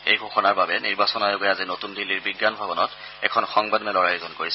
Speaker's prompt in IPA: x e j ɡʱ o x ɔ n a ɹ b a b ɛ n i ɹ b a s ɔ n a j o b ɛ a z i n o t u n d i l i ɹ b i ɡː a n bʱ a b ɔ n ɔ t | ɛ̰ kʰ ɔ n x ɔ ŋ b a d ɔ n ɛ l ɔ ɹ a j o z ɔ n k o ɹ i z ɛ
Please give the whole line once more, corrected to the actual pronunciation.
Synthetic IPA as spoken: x e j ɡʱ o x ɔ n a ɹ b a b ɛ n i ɹ b a s ɔ n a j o ɡ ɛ a z i n o t u n d i l i ɹ b i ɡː a n bʱ a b ɔ n ɔ t | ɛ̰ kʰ ɔ n x ɔ ŋ b a d ɔ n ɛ l ɔ ɹ a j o z ɔ n k o ɹ i s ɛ